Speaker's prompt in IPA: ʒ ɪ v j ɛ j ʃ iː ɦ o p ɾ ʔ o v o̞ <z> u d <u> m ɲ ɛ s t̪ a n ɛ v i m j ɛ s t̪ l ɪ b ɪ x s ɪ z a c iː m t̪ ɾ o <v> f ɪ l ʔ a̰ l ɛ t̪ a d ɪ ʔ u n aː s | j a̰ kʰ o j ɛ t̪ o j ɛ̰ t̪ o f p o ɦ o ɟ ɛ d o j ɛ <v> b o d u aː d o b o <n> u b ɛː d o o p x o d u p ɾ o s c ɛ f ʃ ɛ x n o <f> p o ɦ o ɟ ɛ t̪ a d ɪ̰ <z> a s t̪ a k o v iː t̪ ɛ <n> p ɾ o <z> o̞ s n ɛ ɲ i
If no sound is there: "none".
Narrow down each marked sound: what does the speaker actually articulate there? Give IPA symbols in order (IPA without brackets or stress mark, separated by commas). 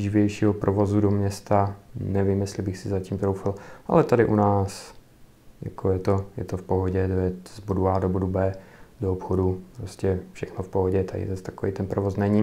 z, o, w, z, d, f, z, n, v